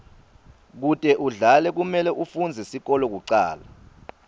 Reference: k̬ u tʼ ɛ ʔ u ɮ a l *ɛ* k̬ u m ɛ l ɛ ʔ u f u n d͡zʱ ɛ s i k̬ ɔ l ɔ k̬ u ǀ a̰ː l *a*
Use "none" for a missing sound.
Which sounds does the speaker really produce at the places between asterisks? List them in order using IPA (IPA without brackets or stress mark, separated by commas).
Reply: ɛ, a